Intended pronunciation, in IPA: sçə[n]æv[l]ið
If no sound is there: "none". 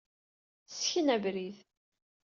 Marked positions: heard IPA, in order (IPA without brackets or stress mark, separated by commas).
n, ɾ